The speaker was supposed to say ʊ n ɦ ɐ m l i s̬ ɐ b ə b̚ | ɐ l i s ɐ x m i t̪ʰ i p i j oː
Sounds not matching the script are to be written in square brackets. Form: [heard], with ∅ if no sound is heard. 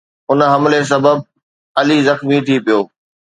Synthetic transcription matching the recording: ʊ n ɦ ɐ m l [e] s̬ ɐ b ə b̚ | ɐ l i [z] ɐ x m i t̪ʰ i p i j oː